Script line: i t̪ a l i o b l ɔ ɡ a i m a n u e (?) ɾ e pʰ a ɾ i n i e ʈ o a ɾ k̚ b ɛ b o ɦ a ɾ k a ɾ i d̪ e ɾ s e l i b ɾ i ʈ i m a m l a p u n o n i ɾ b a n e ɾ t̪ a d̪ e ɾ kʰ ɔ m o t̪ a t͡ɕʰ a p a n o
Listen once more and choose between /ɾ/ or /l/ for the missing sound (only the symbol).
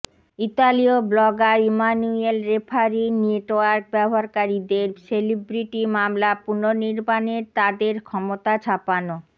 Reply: l